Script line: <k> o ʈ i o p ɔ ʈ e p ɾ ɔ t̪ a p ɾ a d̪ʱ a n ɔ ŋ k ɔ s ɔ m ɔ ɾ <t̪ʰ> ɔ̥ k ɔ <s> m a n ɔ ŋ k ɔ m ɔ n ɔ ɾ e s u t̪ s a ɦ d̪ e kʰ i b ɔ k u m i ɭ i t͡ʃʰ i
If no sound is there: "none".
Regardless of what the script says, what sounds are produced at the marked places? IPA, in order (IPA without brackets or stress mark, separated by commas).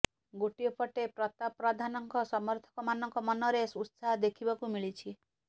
ɡ, t̪ʰ, none